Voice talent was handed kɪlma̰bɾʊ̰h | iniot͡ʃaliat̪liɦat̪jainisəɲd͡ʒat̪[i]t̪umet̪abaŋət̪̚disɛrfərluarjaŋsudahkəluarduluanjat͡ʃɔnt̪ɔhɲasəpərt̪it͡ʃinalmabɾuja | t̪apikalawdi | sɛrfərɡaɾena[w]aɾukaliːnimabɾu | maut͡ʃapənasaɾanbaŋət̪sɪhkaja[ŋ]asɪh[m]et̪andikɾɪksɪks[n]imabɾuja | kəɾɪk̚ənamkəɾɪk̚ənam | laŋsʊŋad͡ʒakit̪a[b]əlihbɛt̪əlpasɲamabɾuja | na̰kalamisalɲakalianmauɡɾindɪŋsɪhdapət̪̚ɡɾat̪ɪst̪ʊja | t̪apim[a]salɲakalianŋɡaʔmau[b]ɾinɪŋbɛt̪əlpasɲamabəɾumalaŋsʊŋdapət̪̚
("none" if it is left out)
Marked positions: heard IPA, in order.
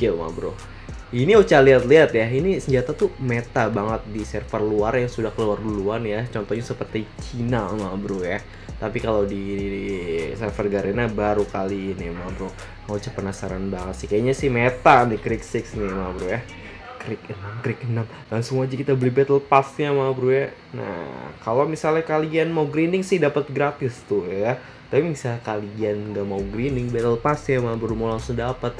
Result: a, b, ɲ, m, n, b, i, ɡ

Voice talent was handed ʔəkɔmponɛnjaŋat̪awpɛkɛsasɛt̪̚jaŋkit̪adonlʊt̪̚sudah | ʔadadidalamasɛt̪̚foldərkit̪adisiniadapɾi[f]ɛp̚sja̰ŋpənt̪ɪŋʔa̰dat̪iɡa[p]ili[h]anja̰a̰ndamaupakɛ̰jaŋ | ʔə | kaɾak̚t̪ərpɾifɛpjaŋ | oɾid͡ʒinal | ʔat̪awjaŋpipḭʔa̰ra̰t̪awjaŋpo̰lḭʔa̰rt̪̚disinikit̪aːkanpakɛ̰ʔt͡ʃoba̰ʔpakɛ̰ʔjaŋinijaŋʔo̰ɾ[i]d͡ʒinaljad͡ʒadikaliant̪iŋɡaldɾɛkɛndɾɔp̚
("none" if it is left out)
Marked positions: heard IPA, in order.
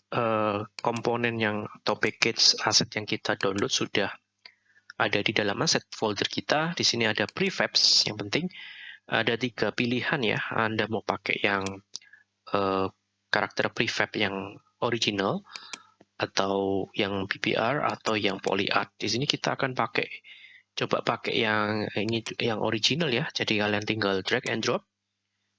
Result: f, p, h, i

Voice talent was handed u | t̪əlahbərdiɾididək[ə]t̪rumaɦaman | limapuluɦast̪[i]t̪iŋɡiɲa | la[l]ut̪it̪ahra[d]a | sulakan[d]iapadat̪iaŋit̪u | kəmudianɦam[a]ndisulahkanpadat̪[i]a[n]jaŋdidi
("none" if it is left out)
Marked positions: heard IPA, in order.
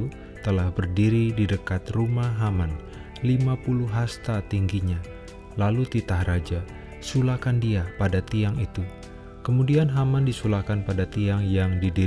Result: a, a, l, d͡ʒ, d, a, i, ŋ

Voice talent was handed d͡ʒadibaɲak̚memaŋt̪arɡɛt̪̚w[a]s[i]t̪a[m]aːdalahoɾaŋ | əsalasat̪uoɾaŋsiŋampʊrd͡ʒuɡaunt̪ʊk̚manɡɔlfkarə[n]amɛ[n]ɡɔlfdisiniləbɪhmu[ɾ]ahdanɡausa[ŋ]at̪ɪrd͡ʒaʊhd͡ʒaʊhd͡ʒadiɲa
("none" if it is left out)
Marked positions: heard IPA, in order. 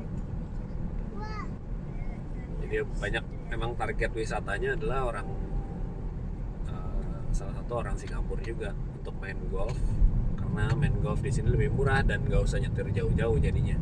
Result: i, a, ɲ, n, n, ɾ, ɲ

